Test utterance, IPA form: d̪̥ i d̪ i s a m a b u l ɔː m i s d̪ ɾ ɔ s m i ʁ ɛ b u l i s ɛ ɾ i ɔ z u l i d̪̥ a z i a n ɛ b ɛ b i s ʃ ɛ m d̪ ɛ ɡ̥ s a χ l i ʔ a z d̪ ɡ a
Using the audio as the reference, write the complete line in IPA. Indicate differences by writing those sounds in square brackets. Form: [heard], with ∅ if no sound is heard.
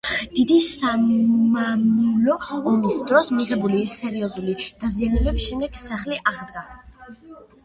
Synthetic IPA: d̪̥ i d̪ i s a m a [m] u l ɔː m i s d̪ ɾ ɔ s m i ʁ ɛ b u l i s ɛ ɾ i ɔ z u l i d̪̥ a z i a n ɛ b ɛ b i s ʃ ɛ m d̪ ɛ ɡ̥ s a χ l i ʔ a [ʁ] d̪ ɡ a